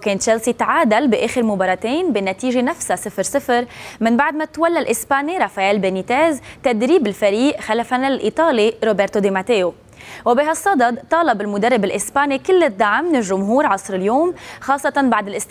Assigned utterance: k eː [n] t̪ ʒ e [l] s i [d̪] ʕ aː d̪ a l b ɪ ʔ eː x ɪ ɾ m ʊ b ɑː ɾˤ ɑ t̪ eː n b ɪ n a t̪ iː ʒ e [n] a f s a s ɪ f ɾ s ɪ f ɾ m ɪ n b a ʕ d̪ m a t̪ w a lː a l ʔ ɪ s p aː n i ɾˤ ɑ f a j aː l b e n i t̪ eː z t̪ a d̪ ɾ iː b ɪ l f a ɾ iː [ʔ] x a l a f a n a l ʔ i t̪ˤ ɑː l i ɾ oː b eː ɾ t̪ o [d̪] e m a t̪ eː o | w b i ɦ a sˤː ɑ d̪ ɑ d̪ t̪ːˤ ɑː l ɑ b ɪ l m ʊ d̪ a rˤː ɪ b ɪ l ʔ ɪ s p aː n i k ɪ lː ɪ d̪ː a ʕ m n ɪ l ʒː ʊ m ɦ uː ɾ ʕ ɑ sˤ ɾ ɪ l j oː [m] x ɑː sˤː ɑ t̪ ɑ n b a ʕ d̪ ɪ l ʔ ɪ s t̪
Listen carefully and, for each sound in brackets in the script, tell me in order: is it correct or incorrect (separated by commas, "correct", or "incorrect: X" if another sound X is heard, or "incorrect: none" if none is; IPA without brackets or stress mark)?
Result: correct, correct, incorrect: t̪, correct, correct, correct, correct